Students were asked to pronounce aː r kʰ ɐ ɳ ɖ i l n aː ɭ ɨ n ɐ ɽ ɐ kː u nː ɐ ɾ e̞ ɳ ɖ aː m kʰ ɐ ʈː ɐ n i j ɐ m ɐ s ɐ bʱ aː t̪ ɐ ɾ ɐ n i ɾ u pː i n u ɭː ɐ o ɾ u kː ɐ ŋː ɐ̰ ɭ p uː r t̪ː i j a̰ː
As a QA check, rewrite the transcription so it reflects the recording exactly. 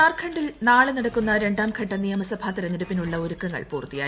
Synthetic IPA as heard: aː r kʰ ɐ ɳ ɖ i l n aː ɭ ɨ n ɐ ɽ ɐ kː u nː ɐ ɾ e̞ ɳ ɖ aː m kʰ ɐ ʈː ɐ n i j ɐ m ɐ s ɐ bʱ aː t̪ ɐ ɾ ɐ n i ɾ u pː i n u ɭː ɐ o ɾ u kː ɐ ŋː ɐ̰ ɭ p uː r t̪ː i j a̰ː